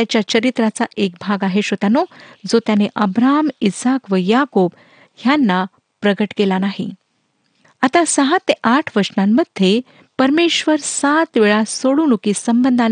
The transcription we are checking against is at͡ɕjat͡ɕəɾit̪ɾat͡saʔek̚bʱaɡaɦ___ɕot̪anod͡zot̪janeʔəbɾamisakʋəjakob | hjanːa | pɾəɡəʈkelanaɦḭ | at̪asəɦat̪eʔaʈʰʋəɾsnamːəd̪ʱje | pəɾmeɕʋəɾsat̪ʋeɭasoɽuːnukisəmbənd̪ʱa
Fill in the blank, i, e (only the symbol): e